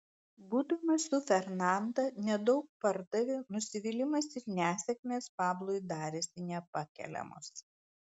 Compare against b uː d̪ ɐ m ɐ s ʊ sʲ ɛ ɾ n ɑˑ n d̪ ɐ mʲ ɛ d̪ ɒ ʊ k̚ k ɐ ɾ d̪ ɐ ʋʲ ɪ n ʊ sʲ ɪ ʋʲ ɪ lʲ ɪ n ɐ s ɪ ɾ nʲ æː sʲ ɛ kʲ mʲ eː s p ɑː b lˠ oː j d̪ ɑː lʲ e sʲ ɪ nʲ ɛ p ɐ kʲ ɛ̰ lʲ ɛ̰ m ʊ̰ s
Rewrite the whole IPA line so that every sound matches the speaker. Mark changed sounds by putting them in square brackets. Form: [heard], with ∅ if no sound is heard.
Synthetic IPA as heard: b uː d̪ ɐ m ɐ s ʊ [fʲ] ɛ ɾ n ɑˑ n d̪ ɐ [nʲ] ɛ d̪ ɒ ʊ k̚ [p] ɐ ɾ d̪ ɐ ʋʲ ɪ n ʊ sʲ ɪ ʋʲ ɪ lʲ ɪ [m] ɐ s ɪ ɾ nʲ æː sʲ ɛ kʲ mʲ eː s p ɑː b lˠ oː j d̪ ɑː [ɾʲ] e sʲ ɪ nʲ ɛ p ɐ kʲ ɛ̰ lʲ ɛ̰ m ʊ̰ s